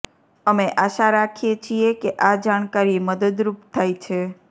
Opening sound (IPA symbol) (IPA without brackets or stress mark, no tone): ə